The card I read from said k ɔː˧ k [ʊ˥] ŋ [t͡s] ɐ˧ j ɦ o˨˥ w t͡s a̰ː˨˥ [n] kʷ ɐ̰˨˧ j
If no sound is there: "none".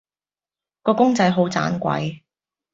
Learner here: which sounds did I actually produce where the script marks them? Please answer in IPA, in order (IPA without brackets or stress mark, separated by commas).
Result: ʊ˥, t͡s, n